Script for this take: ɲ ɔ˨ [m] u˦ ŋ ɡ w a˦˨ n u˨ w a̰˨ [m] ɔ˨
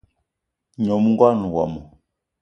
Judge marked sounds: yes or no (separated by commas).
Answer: yes, yes